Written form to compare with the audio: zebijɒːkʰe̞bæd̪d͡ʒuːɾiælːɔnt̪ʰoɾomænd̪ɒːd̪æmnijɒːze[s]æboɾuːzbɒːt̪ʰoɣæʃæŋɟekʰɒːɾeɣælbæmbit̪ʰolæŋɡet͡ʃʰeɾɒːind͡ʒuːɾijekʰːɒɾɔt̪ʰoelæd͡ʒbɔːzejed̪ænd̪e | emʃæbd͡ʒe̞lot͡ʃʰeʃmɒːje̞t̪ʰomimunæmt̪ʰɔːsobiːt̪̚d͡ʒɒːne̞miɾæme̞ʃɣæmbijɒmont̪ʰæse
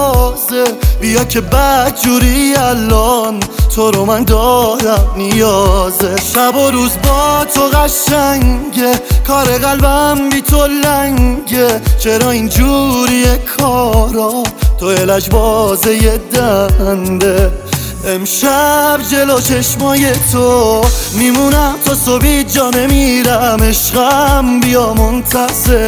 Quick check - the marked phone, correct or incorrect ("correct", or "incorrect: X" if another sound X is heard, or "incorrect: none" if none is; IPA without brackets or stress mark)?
incorrect: ʃ